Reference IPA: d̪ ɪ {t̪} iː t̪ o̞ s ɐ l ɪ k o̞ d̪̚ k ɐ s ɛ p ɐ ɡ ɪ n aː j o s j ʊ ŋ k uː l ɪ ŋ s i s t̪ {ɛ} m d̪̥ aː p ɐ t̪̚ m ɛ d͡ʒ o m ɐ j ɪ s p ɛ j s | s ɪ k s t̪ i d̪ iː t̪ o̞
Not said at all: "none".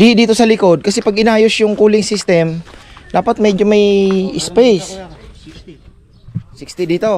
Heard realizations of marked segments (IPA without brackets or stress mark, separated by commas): d̪, ɛ